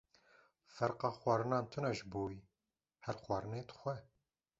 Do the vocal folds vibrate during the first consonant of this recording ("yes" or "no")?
no